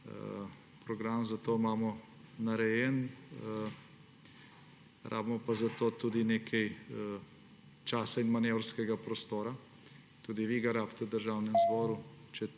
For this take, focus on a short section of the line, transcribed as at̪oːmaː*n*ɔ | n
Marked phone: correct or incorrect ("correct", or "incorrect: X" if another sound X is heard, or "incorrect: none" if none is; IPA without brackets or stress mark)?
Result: incorrect: m